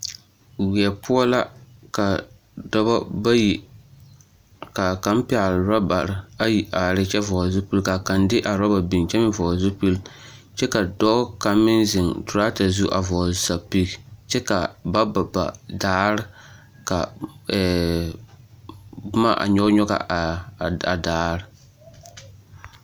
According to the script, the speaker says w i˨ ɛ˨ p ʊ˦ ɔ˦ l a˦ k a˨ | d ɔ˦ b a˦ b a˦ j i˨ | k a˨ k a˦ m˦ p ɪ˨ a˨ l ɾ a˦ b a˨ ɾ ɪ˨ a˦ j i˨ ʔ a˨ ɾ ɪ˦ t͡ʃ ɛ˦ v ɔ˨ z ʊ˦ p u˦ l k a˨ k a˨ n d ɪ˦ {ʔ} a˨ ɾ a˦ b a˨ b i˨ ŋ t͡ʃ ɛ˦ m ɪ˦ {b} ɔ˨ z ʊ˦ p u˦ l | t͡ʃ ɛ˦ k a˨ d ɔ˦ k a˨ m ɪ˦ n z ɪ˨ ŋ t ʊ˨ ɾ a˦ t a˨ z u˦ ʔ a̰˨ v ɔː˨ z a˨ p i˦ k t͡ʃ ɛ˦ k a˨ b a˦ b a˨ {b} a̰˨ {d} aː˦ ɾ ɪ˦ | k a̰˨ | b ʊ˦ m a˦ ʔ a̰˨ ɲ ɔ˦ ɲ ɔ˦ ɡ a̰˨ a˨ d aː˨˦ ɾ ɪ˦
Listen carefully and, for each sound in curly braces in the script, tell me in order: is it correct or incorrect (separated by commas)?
correct, incorrect, correct, correct